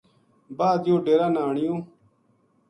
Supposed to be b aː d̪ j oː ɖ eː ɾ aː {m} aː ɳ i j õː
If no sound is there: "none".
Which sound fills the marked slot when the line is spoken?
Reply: n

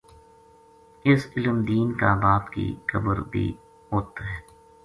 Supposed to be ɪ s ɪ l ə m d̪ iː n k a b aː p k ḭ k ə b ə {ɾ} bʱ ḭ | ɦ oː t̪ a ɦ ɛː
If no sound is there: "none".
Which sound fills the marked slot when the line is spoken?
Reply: ɾ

